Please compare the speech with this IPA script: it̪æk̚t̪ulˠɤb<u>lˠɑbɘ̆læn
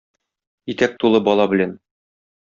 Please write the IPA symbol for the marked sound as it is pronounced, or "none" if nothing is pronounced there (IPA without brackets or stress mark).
ɒ